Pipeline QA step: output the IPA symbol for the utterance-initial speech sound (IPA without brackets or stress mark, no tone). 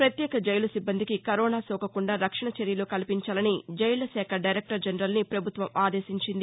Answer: p